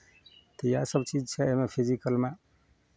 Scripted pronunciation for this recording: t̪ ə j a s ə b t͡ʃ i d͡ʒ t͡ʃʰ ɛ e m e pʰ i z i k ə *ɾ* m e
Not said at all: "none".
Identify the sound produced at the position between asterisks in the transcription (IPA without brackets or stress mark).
l